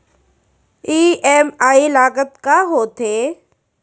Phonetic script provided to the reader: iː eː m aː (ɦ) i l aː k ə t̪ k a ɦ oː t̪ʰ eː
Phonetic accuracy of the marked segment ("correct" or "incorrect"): incorrect